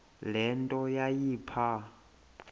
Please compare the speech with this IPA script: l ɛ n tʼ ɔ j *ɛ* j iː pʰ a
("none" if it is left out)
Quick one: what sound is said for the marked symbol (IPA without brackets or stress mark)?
a